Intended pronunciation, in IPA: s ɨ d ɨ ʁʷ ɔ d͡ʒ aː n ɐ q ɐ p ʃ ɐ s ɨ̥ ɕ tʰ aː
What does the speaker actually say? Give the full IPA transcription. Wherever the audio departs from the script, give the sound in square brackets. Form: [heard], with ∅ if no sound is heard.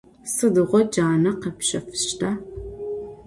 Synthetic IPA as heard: s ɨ d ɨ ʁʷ ɔ d͡ʒ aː n ɐ q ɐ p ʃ ɐ [f] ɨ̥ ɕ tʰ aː